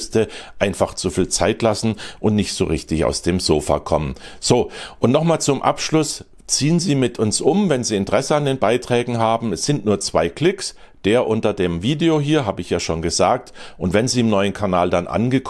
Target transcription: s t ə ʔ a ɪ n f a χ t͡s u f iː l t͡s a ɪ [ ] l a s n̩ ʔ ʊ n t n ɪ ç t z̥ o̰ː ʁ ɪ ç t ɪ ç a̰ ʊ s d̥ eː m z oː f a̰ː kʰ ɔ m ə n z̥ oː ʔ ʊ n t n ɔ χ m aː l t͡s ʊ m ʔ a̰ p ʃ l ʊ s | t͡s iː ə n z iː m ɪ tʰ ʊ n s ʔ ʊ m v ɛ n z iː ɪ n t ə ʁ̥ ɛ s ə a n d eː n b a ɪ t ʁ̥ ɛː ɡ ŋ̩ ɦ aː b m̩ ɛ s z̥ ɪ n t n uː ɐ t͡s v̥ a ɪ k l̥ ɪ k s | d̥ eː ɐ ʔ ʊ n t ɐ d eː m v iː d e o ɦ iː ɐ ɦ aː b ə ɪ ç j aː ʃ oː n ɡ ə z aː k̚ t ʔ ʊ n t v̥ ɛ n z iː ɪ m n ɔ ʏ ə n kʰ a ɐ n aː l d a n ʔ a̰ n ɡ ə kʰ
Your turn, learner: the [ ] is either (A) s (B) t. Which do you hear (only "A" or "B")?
B